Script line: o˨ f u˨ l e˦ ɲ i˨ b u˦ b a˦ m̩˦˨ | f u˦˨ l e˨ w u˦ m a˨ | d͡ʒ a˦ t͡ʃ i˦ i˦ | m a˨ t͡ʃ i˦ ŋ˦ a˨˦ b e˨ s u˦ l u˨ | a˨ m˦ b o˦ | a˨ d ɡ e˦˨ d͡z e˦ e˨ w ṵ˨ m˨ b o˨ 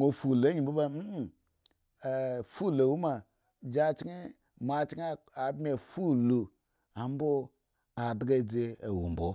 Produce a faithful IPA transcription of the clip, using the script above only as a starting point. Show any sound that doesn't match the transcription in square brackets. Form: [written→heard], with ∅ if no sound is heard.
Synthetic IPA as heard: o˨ f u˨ l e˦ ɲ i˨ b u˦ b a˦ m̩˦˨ | f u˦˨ l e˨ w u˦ m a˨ | d͡ʒ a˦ t͡ʃ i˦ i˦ | m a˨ t͡ʃ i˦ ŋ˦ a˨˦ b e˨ [s→f] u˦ l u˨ | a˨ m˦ b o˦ | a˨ d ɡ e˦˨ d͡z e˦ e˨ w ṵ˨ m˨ b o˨